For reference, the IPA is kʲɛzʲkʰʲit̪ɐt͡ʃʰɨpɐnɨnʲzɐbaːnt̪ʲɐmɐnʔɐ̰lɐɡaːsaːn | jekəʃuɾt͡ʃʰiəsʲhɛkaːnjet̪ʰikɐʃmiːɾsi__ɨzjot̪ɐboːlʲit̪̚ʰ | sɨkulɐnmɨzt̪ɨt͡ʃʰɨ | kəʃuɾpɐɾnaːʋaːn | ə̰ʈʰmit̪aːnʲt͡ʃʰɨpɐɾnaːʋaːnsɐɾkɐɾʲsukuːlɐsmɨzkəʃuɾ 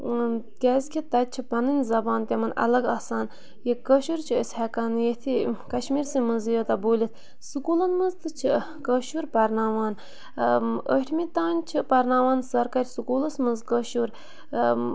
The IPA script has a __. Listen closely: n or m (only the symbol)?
m